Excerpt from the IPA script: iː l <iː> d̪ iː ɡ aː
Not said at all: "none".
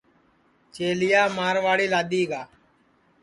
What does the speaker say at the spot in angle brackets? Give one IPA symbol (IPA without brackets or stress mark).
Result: aː